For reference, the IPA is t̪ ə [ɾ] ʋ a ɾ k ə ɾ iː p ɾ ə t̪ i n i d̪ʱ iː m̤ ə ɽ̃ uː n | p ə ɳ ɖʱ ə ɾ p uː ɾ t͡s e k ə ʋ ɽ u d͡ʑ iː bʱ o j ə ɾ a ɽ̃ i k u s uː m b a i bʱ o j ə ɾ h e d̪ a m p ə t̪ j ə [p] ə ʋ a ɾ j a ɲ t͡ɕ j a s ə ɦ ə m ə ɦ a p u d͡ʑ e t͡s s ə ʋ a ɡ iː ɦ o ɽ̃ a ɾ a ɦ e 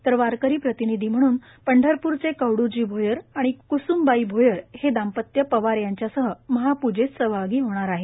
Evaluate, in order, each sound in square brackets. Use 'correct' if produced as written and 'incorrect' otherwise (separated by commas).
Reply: correct, correct